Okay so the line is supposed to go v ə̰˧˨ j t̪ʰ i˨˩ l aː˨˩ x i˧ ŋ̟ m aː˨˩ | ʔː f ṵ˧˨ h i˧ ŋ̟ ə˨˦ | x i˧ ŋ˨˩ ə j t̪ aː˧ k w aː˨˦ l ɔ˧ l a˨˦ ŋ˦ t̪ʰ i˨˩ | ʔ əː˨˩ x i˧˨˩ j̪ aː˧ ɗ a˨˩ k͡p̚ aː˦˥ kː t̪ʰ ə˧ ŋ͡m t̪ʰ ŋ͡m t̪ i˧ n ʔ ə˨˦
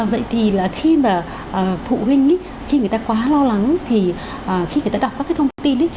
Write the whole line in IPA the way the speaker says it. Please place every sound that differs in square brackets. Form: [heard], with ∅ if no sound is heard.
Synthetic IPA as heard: v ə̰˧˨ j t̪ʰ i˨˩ l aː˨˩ x i˧ [∅] m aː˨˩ | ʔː f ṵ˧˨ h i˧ ŋ̟ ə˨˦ | x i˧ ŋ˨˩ ə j t̪ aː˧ k w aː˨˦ l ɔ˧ l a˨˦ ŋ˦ t̪ʰ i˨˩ | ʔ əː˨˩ x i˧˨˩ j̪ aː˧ ɗ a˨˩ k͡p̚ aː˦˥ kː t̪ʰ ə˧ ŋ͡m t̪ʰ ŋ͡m t̪ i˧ n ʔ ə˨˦